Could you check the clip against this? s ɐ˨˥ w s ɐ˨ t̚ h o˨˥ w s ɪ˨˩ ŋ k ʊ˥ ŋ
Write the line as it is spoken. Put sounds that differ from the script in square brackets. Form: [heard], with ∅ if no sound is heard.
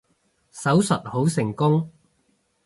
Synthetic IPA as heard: s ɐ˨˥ w s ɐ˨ t̚ h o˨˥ w s ɪ˨˩ ŋ k ʊ˥ ŋ